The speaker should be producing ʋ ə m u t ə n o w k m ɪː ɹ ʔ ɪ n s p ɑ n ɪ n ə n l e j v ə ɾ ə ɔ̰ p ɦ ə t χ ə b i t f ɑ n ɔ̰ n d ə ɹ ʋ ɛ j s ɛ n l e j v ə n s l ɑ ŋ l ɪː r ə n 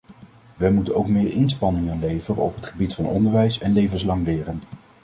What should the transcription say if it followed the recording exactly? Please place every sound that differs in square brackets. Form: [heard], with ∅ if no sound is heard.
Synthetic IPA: ʋ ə m u t ə n o w k m ɪː ɹ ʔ ɪ n s p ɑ n ɪ [ŋ] ə n l e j v ə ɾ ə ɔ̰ p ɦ ə t χ ə b i t f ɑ n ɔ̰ n d ə ɹ ʋ ɛ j s ɛ n l e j v ə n s l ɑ ŋ l ɪː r ə n